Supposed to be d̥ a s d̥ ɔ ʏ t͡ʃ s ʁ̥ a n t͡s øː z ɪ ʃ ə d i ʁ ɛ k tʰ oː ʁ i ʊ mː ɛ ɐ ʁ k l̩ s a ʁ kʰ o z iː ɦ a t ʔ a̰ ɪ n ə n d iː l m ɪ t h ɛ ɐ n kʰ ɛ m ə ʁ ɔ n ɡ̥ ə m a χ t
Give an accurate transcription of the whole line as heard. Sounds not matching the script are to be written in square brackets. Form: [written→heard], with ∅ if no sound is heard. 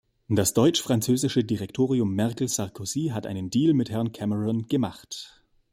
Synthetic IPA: d̥ a s d̥ ɔ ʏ t͡ʃ [s→f] ʁ̥ a n t͡s øː z ɪ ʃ ə d i ʁ ɛ k tʰ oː ʁ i ʊ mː ɛ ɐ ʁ k l̩ s a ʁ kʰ o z iː ɦ a t ʔ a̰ ɪ n ə n d iː l m ɪ t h ɛ ɐ n kʰ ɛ m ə ʁ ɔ n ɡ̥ ə m a χ t